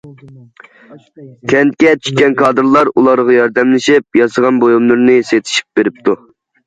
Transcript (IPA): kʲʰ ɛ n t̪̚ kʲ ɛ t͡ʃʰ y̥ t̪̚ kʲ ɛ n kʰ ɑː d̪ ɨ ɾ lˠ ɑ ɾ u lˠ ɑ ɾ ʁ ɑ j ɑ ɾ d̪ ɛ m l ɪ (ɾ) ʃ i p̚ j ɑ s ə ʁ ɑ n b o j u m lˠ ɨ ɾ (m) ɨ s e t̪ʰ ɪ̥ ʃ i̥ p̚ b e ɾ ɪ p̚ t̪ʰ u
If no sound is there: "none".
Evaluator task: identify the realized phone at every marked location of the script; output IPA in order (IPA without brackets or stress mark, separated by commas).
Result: none, n